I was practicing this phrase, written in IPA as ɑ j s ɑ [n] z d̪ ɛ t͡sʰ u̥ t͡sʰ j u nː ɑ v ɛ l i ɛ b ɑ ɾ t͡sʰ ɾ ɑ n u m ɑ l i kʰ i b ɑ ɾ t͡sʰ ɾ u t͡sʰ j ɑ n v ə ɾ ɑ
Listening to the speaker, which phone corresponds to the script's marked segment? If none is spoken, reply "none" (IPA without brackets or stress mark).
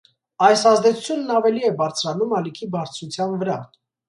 none